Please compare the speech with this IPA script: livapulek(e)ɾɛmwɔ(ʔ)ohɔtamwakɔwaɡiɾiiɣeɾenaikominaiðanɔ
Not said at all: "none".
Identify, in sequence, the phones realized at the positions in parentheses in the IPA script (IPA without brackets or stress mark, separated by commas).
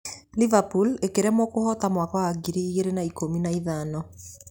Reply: e, k